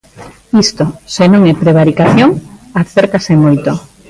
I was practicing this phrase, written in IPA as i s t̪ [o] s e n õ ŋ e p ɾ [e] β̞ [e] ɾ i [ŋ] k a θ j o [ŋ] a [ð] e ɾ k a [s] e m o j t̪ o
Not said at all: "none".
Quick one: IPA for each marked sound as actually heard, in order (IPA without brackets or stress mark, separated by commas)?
o, e, a, none, ŋ, θ, s